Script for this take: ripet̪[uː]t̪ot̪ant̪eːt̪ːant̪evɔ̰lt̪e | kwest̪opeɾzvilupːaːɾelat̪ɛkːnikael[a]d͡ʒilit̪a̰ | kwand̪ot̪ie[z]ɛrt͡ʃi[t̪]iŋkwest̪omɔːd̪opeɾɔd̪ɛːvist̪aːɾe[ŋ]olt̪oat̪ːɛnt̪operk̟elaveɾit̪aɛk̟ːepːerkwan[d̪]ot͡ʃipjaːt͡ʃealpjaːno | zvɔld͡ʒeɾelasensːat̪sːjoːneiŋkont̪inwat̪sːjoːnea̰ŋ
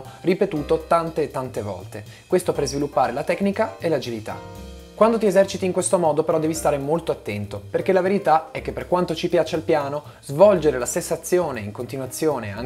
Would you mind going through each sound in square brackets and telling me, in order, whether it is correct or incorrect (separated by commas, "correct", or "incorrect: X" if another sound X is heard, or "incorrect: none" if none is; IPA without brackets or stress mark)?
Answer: correct, correct, correct, correct, incorrect: m, incorrect: t̪